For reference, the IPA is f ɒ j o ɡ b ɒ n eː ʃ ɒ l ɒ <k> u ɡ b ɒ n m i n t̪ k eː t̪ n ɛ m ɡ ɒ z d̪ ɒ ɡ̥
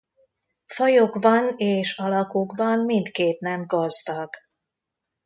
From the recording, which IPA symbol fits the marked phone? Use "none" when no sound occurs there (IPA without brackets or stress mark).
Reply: k